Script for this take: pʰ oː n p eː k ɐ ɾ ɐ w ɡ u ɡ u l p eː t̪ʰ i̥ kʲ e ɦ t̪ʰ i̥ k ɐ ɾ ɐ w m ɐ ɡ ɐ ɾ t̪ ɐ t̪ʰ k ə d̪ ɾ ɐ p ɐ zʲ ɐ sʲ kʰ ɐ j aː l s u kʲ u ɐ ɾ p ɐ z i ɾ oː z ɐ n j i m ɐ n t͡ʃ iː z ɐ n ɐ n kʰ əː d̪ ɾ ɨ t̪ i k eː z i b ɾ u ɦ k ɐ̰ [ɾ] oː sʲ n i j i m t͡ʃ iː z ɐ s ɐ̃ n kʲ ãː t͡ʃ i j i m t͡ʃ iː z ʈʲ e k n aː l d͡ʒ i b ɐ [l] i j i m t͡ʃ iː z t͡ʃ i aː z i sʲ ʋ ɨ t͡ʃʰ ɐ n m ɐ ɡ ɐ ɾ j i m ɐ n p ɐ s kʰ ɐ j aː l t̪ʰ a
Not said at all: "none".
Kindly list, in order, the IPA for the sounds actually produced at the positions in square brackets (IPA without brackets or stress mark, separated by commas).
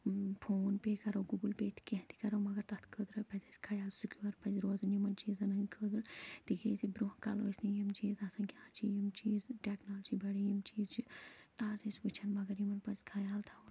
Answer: l, ɽ